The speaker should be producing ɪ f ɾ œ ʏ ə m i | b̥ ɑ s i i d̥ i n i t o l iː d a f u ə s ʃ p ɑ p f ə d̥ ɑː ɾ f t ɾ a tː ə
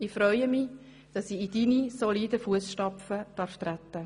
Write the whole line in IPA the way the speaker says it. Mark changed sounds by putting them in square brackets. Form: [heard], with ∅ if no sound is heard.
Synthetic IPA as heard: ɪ f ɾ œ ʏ ə m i | [d̥] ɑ s i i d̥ i n i [s] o l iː d [ə] f u ə s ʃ [t] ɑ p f ə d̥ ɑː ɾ f t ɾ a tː ə